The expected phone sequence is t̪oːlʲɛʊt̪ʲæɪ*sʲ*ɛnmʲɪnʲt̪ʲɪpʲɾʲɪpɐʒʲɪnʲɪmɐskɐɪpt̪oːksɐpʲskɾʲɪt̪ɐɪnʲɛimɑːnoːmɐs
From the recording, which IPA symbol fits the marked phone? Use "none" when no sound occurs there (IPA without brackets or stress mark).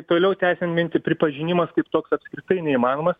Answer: sʲ